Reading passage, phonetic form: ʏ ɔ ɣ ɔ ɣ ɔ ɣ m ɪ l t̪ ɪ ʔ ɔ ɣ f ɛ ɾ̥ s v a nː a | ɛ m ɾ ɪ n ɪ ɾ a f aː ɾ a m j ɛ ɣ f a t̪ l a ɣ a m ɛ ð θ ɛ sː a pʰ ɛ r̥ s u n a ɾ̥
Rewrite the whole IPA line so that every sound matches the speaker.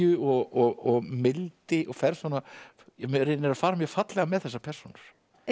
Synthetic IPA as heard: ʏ ɔ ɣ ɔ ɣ ɔ ɣ m ɪ l t̪ ɪ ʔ ɔ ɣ f ɛ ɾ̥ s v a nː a | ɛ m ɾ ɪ n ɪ ɾ a f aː ɾ a m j ɛ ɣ f a t̪ l ɛ ɣ a m ɛ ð θ ɛ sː a pʰ ɛ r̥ s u n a ɾ̥